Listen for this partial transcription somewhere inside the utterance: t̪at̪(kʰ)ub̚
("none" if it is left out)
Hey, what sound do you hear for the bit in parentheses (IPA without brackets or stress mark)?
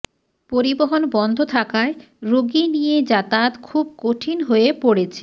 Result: kʰ